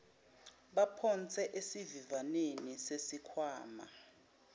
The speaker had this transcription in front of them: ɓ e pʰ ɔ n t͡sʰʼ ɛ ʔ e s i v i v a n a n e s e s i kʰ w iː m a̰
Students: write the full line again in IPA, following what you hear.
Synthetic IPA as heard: ɓ a pʰ ɔ n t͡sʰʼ ɛ ʔ e s i v i v a n e n i s e s i kʰ w aː m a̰